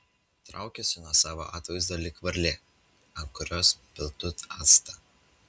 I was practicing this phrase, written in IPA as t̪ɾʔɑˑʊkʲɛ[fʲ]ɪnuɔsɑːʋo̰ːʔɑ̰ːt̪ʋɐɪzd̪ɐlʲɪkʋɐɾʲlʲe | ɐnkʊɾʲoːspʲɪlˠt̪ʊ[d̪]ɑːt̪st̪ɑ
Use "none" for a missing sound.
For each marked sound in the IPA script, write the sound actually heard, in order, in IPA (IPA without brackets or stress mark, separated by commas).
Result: sʲ, t̪